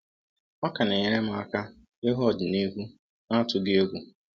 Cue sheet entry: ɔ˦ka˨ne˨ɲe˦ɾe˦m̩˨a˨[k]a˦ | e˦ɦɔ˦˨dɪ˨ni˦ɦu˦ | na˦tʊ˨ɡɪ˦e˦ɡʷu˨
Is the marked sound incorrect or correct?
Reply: correct